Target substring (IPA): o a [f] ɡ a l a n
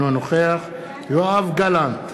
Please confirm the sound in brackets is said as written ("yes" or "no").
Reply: no